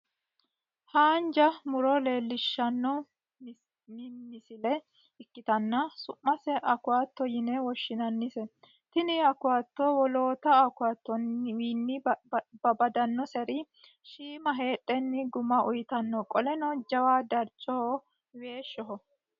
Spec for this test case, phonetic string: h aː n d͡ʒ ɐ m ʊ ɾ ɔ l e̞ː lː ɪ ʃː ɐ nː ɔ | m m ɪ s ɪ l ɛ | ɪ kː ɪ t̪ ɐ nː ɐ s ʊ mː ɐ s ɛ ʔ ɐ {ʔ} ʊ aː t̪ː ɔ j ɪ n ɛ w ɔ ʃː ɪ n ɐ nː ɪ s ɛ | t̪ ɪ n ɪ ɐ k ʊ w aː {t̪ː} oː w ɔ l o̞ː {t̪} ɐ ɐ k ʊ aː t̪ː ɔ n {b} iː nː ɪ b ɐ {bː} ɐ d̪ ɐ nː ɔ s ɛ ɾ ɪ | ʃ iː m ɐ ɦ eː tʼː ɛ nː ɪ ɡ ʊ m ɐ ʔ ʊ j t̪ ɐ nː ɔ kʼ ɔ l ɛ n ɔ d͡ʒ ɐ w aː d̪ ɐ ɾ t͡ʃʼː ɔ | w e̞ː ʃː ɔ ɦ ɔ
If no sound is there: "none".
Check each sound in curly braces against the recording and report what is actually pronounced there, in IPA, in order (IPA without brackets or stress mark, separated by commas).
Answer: k, t̪ː, t̪, w, b